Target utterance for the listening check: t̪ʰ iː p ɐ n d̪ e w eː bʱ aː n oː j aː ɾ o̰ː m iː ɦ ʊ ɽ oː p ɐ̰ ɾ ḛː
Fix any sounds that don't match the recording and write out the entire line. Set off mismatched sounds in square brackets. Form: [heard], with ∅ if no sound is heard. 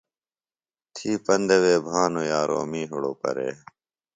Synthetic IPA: t̪ʰ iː p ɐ n d̪ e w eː bʱ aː n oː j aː ɾ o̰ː m iː ɦ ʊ ɽ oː p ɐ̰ ɾ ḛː